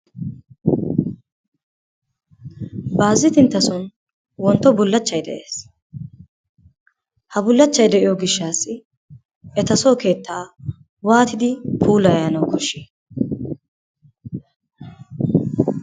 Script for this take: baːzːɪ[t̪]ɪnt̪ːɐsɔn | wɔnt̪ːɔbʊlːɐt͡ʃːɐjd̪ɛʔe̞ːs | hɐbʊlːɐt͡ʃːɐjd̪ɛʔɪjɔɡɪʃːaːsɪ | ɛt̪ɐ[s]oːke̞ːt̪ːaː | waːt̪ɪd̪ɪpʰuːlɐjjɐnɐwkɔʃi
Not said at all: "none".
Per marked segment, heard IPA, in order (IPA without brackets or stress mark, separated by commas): t̪, s